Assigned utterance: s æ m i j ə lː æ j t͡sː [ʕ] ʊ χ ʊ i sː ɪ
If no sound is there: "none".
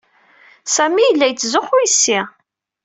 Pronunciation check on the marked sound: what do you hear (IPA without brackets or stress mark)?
z